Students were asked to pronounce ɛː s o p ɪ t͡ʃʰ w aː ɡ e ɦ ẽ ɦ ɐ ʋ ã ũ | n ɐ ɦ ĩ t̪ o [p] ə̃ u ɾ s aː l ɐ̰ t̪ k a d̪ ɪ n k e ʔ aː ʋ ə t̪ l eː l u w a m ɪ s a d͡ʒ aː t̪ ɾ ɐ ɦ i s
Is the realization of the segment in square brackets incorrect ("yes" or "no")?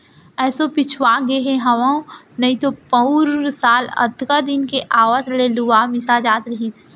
no